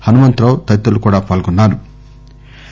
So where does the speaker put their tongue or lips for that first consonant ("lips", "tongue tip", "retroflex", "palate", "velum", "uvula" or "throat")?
throat